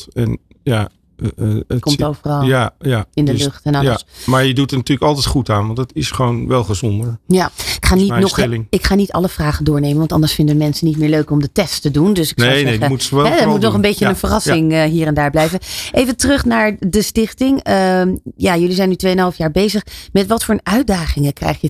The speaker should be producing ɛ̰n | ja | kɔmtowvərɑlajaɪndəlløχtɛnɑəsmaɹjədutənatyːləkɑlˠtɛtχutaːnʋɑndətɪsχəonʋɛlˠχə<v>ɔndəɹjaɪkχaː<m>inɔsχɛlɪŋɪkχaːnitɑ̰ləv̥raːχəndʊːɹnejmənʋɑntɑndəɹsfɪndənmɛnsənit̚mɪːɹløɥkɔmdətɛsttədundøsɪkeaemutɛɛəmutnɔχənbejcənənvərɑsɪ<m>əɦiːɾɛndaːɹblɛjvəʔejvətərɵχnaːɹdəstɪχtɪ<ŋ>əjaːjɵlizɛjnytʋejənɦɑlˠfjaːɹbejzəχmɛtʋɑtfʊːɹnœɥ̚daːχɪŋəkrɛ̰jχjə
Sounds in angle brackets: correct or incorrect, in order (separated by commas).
incorrect, incorrect, incorrect, correct